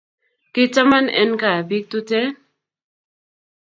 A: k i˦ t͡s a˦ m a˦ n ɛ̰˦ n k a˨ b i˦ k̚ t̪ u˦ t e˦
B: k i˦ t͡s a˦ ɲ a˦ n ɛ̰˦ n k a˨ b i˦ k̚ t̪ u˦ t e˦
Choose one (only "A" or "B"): A